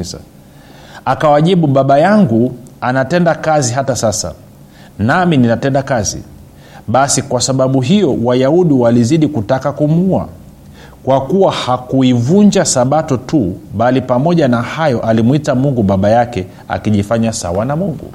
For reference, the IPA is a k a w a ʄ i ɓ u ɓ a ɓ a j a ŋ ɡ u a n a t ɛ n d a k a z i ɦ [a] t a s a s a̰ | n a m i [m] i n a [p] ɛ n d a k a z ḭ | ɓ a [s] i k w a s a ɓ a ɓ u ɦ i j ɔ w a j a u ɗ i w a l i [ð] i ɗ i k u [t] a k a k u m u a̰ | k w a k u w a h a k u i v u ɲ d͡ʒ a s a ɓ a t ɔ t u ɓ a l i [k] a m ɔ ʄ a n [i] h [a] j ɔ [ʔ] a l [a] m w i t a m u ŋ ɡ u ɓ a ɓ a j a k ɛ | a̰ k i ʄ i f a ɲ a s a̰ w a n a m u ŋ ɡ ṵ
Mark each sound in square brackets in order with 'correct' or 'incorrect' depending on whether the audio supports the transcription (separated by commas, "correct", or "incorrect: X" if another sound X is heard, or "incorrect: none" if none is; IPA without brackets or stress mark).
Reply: correct, incorrect: n, incorrect: t, correct, incorrect: z, correct, incorrect: p, incorrect: a, correct, correct, incorrect: i